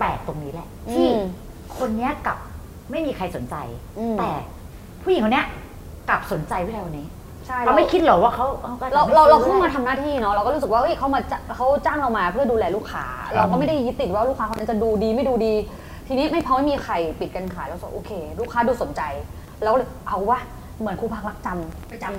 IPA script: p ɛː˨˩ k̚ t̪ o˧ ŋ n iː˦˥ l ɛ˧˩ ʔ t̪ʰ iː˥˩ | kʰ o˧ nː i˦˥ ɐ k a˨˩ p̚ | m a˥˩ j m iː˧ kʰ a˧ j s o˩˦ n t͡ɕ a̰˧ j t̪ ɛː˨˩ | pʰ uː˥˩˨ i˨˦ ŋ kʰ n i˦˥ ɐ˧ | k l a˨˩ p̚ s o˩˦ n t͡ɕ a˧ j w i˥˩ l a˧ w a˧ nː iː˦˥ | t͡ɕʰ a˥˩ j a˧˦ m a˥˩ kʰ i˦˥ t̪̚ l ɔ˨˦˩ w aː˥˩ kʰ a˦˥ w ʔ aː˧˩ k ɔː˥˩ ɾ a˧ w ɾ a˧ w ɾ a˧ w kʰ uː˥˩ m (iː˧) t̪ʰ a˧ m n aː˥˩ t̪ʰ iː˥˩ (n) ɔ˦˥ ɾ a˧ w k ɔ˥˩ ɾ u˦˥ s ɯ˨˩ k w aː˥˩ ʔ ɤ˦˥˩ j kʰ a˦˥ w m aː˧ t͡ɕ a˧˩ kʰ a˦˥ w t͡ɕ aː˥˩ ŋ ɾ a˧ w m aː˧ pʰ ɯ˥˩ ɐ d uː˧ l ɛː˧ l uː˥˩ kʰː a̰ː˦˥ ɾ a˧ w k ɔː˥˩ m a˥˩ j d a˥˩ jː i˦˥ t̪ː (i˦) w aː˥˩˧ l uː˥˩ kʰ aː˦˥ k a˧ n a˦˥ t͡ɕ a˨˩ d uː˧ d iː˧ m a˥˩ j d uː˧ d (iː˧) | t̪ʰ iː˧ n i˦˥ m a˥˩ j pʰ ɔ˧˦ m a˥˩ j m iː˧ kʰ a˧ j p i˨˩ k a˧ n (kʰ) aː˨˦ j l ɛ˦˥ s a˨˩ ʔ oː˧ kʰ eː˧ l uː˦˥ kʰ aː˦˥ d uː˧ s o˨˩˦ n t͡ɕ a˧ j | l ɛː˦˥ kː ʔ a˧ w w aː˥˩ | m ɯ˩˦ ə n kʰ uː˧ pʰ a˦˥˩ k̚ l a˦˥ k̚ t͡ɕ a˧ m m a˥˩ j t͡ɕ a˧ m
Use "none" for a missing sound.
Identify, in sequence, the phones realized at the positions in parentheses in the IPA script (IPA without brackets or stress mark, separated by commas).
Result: aː˧, n, i˨˩, iː˧, kʰ